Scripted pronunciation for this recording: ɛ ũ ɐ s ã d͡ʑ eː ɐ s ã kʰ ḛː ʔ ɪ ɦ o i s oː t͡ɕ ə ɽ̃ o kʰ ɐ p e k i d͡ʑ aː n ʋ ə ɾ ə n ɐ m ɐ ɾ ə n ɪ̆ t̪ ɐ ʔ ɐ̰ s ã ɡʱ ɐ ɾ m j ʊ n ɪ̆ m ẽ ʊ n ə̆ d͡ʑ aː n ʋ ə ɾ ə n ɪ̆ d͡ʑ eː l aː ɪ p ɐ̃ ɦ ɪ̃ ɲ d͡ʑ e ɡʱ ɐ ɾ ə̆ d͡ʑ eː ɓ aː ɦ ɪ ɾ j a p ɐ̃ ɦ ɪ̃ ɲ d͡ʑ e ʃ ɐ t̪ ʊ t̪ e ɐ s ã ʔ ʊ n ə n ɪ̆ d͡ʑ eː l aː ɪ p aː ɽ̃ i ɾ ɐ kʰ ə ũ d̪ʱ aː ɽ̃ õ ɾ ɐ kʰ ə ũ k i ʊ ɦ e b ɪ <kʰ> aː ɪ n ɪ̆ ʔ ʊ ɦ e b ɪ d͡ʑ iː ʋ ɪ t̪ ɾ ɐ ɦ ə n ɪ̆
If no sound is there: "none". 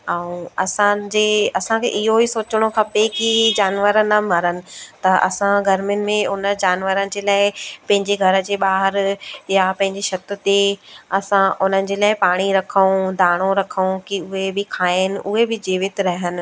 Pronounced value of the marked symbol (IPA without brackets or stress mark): kʰ